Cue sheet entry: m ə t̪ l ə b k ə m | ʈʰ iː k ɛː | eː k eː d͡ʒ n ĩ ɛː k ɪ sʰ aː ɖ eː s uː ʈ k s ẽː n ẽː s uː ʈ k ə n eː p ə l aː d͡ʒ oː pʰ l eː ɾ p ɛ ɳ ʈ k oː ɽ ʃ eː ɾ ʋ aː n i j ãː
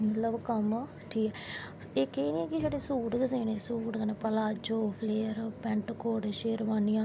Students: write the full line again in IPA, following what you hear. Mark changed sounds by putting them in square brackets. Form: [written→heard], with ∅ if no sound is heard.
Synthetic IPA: m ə t̪ l ə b k ə m | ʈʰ iː k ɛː | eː k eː [d͡ʒ→∅] n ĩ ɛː k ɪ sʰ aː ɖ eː s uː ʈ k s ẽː n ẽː s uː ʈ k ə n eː p ə l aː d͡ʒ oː pʰ l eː ɾ p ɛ ɳ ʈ k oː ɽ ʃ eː ɾ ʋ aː n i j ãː